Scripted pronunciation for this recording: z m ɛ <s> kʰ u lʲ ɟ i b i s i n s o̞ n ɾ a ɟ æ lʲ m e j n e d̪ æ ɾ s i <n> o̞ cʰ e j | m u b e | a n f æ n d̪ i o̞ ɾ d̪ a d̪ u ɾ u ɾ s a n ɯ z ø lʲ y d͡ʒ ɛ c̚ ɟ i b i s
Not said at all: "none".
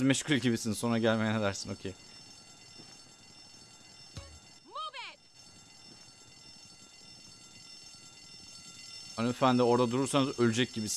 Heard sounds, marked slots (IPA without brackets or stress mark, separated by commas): ʃ, n